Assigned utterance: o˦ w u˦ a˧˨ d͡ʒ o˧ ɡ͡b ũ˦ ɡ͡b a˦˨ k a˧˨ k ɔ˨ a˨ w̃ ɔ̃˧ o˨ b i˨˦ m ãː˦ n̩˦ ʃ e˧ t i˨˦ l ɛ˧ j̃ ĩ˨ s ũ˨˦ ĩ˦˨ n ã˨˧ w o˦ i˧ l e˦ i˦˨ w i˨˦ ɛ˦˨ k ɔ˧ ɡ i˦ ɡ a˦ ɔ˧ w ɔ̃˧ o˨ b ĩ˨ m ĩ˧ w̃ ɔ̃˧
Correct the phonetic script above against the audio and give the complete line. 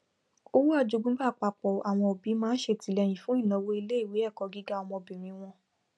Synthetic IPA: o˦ w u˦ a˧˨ d͡ʒ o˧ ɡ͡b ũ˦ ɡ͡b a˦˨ k͡p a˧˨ k͡p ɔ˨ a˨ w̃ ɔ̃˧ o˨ b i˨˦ m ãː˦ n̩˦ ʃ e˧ t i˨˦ l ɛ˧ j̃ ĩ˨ f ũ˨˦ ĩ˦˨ n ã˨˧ w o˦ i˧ l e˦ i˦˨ w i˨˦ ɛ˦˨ k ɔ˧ ɡ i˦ ɡ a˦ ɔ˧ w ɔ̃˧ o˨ b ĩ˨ m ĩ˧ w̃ ɔ̃˧